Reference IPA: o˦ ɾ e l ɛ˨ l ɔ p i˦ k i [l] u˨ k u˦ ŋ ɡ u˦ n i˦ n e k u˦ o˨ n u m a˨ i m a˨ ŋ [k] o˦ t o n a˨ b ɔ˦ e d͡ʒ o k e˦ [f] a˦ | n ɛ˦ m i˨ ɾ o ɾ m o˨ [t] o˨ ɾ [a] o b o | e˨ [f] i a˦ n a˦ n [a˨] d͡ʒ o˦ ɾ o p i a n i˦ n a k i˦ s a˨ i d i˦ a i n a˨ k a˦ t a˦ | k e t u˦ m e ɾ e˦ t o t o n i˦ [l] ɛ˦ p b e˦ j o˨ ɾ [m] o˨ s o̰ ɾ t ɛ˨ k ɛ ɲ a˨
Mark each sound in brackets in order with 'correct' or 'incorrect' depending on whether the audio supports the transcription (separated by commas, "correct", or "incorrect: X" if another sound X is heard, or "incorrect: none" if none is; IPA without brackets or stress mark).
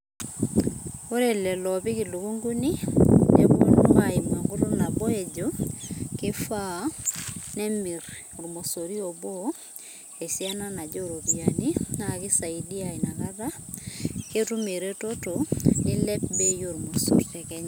correct, incorrect: ɡ, correct, incorrect: s, incorrect: i, incorrect: s, correct, correct, correct